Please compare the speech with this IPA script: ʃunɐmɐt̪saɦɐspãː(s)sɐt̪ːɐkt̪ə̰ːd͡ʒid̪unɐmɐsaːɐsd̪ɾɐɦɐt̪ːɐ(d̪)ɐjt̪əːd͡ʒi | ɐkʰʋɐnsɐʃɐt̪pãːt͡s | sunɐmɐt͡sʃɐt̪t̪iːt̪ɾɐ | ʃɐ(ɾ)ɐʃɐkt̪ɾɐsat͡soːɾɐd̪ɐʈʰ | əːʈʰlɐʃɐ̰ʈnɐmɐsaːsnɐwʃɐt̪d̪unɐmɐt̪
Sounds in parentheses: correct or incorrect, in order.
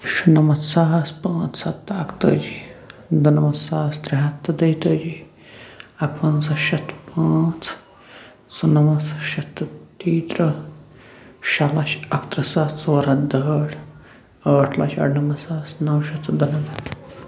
incorrect: t͡s, correct, incorrect: l

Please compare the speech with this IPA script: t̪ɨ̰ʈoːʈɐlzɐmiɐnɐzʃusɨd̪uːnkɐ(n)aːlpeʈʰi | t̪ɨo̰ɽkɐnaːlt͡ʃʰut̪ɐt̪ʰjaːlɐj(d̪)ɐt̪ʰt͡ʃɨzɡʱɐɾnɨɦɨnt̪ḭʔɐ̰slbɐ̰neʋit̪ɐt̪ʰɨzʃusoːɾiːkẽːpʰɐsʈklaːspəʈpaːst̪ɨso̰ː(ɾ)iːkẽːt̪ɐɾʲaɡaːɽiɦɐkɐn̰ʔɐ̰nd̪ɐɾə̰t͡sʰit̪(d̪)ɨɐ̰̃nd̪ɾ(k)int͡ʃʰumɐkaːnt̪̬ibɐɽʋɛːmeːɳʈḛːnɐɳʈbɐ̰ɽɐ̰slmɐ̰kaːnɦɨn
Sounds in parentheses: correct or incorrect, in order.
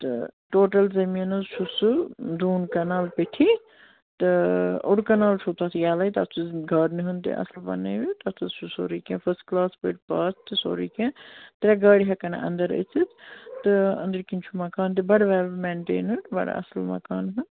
correct, incorrect: t̪, correct, incorrect: t̪, correct

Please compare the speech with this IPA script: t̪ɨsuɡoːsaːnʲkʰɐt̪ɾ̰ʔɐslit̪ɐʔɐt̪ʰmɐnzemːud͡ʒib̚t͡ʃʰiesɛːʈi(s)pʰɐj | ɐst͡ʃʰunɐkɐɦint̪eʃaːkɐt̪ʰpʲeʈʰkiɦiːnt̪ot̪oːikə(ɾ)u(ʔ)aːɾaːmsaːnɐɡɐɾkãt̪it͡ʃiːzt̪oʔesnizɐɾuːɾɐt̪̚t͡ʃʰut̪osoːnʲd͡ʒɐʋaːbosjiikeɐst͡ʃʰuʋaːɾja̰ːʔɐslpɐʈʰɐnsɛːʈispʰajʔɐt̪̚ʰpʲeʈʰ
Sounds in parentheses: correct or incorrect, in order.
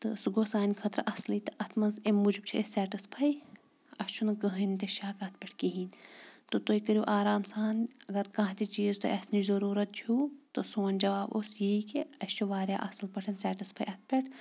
correct, correct, correct

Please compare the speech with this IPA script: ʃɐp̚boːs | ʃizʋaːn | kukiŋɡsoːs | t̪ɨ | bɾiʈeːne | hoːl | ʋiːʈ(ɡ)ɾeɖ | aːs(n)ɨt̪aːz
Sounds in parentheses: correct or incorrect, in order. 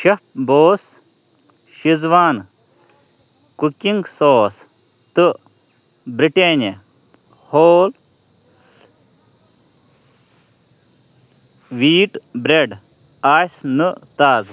incorrect: b, correct

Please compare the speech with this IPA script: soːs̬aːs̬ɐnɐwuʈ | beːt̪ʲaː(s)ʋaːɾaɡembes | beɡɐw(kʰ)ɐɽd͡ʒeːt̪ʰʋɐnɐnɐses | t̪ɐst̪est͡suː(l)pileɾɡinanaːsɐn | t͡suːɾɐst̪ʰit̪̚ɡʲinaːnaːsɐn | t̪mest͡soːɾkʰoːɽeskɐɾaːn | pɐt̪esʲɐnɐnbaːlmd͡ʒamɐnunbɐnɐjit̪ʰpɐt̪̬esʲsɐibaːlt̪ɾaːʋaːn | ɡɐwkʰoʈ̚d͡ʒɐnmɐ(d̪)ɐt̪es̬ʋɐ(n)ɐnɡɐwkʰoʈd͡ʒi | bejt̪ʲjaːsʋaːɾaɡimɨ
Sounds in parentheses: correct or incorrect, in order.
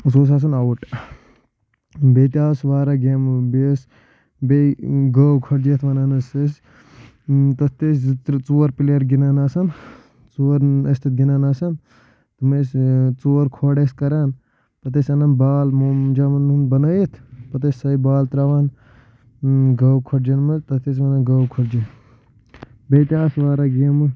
correct, correct, incorrect: ɾ, incorrect: t̪, correct

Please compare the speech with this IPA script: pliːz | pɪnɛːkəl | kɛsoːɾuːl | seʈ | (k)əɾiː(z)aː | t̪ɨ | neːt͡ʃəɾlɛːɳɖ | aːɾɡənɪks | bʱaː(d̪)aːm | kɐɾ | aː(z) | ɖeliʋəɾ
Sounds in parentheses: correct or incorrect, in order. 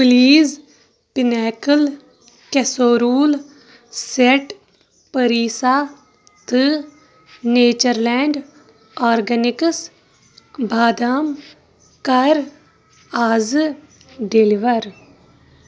incorrect: p, incorrect: s, correct, correct

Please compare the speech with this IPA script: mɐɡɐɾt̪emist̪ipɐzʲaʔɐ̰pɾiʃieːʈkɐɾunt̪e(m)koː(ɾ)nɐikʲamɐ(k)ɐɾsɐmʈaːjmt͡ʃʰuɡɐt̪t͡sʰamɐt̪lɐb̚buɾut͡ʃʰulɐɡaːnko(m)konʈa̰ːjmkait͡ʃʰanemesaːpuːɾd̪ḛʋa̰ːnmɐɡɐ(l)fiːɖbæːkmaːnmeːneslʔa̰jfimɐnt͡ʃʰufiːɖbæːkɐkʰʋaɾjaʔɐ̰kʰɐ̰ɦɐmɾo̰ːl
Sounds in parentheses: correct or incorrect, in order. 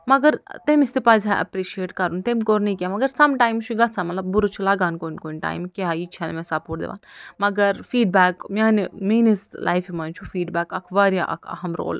correct, correct, incorrect: ɡ, incorrect: n, incorrect: ɾ

